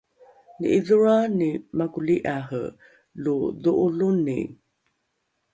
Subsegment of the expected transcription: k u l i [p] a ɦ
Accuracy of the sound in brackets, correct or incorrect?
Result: incorrect